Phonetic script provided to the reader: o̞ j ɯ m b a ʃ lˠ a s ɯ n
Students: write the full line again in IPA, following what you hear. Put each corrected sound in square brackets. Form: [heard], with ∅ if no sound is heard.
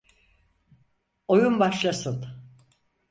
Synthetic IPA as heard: o̞ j [u] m b a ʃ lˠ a s ɯ n